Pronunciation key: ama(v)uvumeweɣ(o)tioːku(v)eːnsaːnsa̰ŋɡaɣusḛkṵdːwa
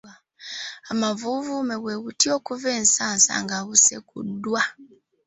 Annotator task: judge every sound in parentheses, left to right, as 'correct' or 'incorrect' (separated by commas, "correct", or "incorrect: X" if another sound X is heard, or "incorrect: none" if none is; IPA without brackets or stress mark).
correct, incorrect: u, correct